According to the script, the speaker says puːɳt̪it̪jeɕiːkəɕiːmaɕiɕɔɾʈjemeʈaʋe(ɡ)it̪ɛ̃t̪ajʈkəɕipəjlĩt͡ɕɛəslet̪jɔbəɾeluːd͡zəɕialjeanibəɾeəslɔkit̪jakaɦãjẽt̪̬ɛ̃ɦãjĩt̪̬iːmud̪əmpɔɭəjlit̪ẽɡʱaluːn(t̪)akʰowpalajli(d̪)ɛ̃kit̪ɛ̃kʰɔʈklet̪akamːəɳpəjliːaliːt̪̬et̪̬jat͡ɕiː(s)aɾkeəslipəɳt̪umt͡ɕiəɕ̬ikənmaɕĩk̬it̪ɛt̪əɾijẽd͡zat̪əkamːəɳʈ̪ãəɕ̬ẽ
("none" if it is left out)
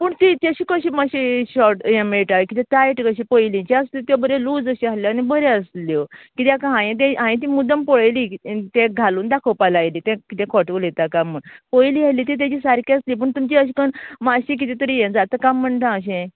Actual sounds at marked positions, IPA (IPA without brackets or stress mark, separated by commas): k, d̪, t̪, s